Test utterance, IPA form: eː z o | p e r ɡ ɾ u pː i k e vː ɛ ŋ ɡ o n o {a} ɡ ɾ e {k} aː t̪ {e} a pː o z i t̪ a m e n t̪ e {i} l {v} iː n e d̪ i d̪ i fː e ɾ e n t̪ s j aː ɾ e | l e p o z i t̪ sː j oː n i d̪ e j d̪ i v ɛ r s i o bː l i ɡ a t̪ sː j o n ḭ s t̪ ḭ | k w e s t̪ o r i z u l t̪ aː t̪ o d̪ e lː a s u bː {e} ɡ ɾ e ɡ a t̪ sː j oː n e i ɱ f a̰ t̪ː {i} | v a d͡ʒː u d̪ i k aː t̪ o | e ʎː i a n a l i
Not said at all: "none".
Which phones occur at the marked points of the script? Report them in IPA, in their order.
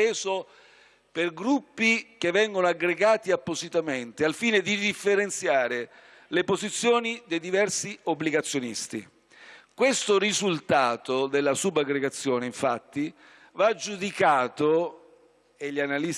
a, ɡ, i, a, f, a, i

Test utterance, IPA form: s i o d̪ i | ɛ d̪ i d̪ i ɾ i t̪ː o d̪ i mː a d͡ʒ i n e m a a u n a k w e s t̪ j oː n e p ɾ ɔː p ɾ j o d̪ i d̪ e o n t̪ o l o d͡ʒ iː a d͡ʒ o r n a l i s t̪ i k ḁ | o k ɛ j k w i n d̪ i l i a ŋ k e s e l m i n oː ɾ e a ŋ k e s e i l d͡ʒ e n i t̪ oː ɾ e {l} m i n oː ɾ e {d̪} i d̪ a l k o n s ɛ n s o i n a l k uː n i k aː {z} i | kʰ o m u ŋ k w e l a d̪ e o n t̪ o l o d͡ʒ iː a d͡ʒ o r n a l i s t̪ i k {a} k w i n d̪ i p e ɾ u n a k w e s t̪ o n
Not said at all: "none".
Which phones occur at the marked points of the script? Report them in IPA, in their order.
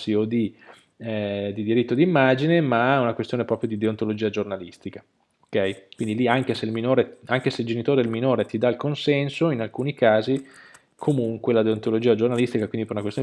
l, t̪, z, a

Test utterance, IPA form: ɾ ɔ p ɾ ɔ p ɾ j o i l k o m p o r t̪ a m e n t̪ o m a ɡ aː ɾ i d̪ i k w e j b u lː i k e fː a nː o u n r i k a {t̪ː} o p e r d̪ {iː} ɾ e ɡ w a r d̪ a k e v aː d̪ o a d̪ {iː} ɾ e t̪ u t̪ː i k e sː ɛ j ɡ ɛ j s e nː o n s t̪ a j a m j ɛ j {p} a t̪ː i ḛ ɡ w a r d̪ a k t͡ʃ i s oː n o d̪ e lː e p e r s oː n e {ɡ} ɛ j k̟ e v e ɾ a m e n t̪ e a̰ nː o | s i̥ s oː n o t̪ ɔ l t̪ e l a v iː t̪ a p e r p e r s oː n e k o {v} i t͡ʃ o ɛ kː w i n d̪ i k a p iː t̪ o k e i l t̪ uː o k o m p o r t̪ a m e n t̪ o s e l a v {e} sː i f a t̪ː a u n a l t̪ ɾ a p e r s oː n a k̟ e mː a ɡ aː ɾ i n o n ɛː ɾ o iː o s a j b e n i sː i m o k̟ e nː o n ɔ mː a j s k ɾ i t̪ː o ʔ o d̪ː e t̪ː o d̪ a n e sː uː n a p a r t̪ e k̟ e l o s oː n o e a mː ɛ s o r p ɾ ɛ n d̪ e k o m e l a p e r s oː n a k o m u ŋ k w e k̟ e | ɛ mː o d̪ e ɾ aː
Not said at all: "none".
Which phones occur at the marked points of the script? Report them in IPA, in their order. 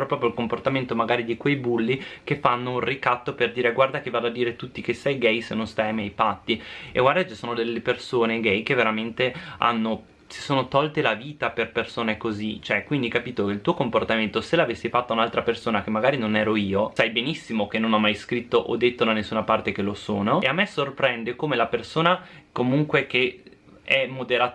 t̪ː, iː, iː, p, ɡ, z, e

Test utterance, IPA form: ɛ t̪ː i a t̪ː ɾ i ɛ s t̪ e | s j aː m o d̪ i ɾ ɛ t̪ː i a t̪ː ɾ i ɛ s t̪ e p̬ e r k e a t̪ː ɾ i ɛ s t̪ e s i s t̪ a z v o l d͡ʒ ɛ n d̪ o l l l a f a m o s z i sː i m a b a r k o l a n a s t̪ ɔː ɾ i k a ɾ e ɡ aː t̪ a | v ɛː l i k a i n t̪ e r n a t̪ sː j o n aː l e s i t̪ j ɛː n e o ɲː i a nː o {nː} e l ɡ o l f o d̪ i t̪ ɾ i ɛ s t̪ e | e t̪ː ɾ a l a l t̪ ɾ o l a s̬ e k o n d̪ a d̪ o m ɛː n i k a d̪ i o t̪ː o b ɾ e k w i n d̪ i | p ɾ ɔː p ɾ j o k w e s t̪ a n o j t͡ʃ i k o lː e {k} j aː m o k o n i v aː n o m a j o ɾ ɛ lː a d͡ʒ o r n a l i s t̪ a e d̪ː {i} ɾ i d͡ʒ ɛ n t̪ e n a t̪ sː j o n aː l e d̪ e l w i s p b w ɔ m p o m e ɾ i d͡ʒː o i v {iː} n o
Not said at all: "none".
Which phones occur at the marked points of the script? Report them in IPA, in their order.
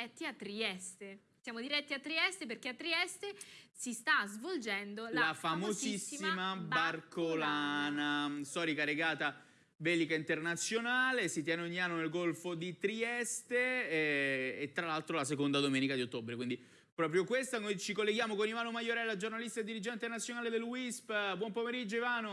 n, ɡ, i, aː

